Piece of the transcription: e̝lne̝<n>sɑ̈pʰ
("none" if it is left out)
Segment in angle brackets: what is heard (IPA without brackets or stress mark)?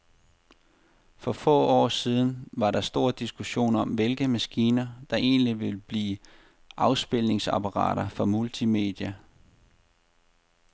ŋ